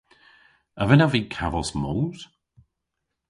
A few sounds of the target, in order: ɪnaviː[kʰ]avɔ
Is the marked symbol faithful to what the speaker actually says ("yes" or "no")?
yes